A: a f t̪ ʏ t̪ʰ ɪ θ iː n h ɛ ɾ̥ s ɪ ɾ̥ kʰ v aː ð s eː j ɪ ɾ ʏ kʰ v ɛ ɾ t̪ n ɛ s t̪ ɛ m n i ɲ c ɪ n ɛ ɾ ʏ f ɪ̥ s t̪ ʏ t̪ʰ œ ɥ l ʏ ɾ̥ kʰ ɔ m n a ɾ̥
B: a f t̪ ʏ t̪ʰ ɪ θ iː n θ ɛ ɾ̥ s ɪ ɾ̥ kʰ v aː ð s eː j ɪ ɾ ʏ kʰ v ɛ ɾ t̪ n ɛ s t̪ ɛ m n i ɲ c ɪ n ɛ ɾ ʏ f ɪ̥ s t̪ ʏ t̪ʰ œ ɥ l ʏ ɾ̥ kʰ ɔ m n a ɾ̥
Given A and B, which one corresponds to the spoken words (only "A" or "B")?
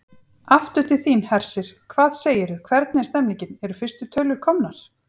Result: A